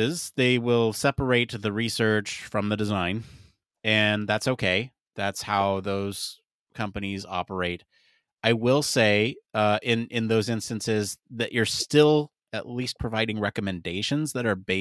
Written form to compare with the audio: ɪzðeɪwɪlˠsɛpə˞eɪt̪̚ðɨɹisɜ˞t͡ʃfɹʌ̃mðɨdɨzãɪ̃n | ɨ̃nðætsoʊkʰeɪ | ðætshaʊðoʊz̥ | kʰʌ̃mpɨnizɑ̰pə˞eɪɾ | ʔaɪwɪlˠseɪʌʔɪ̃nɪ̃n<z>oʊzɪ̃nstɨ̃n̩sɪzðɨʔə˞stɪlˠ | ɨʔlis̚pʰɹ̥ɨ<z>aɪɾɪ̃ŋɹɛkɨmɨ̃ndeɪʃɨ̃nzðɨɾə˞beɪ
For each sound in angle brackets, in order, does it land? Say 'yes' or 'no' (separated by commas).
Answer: no, no